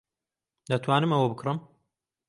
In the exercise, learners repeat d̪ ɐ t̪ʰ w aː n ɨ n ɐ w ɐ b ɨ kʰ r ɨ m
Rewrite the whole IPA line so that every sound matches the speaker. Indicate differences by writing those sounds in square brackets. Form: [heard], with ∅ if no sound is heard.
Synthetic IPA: d̪ ɐ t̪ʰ w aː n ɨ [m] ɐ w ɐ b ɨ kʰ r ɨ m